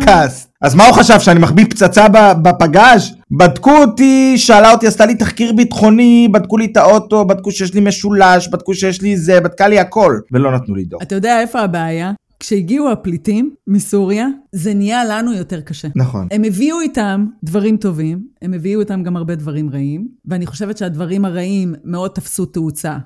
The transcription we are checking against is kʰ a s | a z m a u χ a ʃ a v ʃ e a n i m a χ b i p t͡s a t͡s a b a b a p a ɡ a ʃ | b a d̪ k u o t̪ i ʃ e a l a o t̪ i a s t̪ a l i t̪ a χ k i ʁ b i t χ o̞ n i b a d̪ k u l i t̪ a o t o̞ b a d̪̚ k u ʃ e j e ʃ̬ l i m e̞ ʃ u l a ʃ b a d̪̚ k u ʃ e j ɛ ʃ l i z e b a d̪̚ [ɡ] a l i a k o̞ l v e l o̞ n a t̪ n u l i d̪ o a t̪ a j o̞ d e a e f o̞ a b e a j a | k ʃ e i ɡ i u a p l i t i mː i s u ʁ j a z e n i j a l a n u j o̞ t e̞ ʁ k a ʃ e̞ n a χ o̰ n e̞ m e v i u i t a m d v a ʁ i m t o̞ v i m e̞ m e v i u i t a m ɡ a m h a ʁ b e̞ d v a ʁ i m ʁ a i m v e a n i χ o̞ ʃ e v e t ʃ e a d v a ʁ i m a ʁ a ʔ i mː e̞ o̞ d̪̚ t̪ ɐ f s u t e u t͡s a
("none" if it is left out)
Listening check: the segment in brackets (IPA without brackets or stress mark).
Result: k